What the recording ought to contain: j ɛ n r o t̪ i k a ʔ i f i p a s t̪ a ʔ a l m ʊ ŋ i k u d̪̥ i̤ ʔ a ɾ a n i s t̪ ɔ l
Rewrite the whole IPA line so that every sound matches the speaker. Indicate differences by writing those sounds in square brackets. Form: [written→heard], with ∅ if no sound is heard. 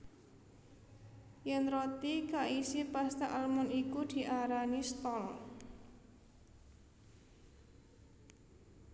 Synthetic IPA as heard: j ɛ n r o t̪ i k a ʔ i [f→s] i p a s t̪ a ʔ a l m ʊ [ŋ→n] i k u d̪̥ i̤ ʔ a ɾ a n i s t̪ ɔ l